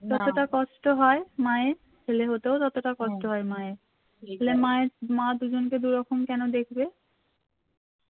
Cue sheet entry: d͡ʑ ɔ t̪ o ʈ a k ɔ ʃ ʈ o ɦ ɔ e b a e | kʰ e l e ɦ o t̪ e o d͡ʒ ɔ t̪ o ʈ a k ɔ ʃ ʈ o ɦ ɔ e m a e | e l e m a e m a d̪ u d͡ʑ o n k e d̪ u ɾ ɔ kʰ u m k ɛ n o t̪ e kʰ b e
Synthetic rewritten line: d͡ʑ ɔ t̪ o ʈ a k ɔ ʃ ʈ o ɦ ɔ e m a e | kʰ e l e ɦ o t̪ e o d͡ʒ ɔ t̪ o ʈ a k ɔ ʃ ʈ o ɦ ɔ e m a e | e l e m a e m a d̪ u d͡ʑ o n k e d̪ u ɾ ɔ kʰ o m k ɛ n o d̪ e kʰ b e